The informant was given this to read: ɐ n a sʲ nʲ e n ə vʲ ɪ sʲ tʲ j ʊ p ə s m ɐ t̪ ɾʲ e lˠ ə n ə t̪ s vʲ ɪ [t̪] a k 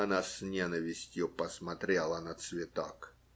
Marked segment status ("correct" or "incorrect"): correct